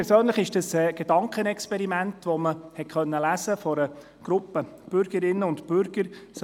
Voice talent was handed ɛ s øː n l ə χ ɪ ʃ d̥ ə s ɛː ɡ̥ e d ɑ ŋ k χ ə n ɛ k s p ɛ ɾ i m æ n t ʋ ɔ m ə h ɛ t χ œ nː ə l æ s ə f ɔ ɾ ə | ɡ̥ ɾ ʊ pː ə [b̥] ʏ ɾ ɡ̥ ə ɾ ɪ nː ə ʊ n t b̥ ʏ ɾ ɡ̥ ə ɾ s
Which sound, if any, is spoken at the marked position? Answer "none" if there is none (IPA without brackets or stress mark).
b̥